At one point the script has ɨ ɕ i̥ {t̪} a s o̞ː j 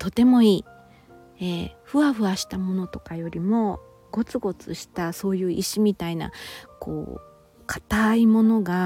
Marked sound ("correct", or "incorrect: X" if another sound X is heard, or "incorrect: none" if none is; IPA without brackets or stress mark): correct